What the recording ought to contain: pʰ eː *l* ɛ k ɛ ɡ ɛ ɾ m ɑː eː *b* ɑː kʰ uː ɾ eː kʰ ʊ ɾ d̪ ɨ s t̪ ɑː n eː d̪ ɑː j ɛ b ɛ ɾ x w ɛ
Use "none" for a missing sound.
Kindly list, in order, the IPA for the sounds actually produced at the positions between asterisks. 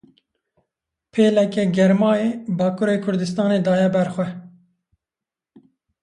l, b

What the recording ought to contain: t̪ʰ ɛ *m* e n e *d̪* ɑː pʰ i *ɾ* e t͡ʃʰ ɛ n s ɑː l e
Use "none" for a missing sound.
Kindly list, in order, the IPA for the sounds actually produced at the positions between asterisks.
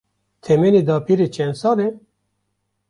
m, d̪, ɾ

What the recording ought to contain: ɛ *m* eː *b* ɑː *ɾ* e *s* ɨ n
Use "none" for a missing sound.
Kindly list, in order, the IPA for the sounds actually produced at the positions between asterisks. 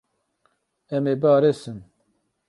m, b, ɾ, s

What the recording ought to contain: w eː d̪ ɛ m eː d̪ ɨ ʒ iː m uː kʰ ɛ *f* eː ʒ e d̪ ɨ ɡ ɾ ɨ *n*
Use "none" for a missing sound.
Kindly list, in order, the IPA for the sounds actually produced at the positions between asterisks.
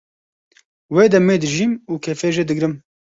f, m

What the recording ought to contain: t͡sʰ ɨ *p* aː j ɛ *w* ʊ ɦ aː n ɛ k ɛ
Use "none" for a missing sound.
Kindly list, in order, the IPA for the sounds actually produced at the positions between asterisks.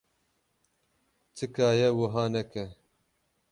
k, w

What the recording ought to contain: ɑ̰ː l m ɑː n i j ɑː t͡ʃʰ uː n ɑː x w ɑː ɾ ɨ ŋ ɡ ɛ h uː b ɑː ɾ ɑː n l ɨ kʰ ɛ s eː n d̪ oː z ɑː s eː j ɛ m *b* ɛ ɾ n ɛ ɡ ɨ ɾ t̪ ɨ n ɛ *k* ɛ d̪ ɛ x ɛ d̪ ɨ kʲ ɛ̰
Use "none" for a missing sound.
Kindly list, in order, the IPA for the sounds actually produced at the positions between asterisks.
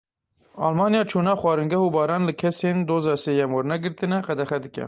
w, q

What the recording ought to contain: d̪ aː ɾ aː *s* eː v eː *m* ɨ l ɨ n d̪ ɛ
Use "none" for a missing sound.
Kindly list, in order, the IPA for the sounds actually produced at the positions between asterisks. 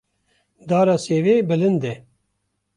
s, b

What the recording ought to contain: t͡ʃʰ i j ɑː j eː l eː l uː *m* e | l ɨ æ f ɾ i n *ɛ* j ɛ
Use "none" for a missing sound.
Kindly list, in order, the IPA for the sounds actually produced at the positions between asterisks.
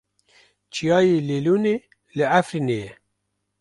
n, e

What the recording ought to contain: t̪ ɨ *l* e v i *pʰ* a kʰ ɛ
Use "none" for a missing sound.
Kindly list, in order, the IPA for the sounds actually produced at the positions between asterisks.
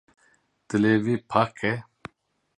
l, pʰ

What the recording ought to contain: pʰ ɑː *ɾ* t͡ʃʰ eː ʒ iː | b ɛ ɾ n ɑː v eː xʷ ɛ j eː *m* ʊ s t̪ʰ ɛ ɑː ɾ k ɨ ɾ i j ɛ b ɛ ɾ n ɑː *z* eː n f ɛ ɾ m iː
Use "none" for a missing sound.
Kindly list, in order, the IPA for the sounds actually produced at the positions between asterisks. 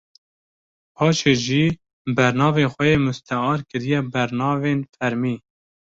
none, m, v

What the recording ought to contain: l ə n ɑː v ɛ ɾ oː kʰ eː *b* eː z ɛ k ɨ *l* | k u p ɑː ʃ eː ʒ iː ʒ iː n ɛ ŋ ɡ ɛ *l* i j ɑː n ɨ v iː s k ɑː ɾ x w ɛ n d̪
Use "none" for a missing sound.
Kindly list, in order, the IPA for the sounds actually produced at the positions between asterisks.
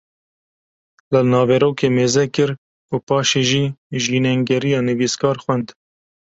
m, ɾ, ɾ

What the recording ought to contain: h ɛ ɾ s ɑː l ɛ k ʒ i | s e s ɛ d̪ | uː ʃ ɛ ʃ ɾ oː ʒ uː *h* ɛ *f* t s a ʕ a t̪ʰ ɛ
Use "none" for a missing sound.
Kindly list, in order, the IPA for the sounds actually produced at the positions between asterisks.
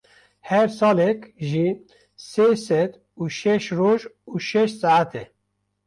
ʃ, ʃ

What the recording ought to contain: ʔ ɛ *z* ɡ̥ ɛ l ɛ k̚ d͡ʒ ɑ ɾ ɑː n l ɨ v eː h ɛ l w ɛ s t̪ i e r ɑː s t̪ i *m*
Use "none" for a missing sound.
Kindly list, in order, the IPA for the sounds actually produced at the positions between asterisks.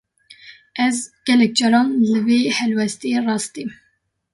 z, m

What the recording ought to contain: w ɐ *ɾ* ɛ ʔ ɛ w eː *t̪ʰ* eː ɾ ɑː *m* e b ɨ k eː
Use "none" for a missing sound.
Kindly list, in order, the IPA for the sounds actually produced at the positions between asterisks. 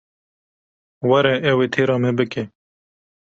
ɾ, t̪ʰ, m

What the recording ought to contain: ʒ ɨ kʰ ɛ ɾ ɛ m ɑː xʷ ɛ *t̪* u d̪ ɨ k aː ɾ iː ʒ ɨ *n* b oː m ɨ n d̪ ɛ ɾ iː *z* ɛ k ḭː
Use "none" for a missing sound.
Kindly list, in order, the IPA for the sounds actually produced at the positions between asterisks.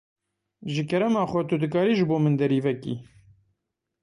t̪, none, v

